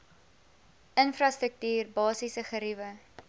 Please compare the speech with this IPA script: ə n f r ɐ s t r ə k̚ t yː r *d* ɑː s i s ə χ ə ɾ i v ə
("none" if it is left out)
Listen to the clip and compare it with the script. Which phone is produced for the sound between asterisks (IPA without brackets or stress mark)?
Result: b